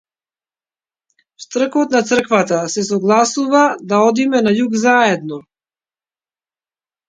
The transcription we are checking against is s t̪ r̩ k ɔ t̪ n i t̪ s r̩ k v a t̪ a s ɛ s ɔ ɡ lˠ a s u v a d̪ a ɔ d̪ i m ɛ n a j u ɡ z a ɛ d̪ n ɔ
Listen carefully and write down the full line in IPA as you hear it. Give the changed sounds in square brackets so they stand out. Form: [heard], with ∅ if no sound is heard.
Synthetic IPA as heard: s t̪ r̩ k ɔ t̪ n [a] t̪ s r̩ k v a t̪ a s ɛ s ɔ ɡ lˠ a s u v a d̪ a ɔ d̪ i m ɛ n a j u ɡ z a ɛ d̪ n ɔ